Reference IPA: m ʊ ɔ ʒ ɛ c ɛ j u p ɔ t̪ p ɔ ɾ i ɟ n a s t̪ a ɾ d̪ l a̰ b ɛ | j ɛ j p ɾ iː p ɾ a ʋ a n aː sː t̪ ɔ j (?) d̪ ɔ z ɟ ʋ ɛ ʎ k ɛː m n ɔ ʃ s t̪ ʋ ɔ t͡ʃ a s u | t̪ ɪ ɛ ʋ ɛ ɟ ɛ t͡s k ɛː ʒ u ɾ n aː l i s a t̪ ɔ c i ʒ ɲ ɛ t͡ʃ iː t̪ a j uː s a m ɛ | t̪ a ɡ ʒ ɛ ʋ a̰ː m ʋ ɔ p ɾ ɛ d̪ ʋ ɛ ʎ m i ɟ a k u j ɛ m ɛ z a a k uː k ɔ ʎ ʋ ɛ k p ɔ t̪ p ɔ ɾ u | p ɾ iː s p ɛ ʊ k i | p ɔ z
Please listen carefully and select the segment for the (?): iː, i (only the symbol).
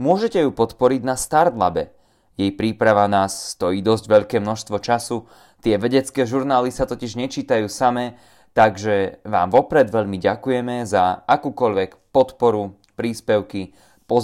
iː